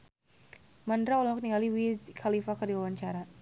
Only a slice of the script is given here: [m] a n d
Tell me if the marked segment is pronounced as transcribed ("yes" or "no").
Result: yes